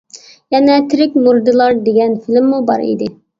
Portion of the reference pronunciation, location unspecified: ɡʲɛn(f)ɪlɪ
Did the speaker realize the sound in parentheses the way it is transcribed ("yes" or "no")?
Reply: yes